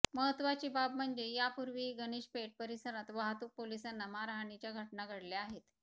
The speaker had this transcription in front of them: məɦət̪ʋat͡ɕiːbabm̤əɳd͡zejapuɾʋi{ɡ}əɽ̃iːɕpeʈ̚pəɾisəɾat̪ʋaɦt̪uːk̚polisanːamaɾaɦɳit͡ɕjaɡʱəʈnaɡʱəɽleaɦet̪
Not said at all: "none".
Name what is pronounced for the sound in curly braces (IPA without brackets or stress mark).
ɡ